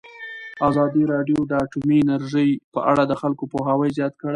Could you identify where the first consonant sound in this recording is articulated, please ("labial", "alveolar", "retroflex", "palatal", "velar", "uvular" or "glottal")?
alveolar